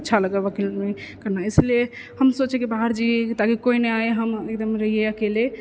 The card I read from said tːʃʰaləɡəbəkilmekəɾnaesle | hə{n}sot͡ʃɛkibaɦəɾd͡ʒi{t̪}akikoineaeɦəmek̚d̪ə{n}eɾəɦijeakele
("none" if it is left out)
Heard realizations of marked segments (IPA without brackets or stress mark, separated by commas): m, t̪, m